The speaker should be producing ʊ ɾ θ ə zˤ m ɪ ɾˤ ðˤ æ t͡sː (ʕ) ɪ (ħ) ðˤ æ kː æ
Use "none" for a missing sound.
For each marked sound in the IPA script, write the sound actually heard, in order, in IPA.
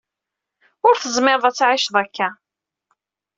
ʕ, ʃ

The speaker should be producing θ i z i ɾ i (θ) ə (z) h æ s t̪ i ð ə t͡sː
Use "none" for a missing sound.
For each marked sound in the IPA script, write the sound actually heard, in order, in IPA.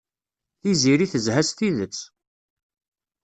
θ, z

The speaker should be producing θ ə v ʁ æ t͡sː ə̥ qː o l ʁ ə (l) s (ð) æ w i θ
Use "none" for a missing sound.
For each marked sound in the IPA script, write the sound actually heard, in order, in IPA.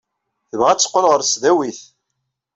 ɾ, ð

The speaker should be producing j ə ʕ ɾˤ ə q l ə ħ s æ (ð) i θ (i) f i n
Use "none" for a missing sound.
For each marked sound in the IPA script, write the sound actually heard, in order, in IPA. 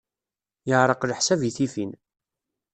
v, i

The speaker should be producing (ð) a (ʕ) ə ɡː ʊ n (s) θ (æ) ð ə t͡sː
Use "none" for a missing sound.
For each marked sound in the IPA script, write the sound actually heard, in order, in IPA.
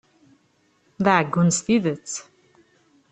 ð, ʕ, s, i

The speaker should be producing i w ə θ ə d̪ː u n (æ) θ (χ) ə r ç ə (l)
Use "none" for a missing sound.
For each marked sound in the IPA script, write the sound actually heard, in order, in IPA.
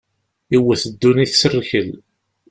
i, s, l

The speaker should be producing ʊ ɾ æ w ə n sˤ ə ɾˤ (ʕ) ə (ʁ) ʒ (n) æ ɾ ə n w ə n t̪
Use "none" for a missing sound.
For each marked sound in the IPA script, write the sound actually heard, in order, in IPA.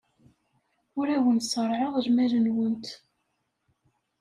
ʕ, ʁ, m

